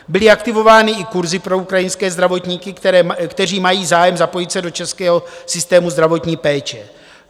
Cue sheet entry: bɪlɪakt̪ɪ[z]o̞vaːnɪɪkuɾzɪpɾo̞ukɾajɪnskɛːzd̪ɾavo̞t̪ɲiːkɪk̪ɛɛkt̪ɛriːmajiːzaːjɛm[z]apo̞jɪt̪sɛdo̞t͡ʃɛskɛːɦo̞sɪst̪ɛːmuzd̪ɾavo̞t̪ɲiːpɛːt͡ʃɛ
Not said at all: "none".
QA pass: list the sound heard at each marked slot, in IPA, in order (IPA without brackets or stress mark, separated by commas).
v, z